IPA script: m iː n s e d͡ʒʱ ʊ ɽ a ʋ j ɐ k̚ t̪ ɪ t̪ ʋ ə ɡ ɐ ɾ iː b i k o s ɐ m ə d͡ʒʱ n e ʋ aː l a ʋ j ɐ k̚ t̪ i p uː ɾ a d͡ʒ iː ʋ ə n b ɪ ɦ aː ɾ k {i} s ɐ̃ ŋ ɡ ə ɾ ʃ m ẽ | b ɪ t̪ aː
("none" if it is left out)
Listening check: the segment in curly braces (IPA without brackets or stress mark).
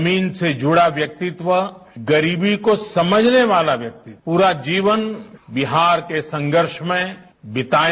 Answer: e